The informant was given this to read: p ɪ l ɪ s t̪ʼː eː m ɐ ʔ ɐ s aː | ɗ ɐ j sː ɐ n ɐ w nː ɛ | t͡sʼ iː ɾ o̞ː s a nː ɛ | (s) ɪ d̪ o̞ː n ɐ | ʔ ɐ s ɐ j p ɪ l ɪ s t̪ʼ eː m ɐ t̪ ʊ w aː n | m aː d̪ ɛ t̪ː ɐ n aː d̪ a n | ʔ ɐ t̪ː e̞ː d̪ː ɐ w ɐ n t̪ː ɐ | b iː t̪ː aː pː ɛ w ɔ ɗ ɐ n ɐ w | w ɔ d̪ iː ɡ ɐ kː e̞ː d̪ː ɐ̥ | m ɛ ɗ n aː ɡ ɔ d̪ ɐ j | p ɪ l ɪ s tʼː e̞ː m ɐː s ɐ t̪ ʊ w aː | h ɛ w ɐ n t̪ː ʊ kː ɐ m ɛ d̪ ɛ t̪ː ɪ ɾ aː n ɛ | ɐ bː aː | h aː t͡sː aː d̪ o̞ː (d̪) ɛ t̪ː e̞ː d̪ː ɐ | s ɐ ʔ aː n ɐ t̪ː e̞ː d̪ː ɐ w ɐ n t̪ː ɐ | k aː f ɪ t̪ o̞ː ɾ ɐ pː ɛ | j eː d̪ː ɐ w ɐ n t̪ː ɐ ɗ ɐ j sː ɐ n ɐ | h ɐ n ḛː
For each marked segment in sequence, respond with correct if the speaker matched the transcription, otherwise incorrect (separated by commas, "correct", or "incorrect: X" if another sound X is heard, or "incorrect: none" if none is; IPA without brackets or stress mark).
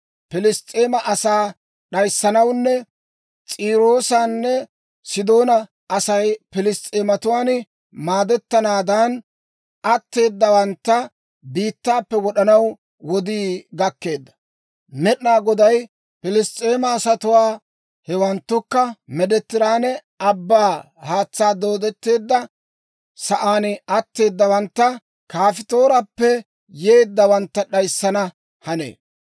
correct, correct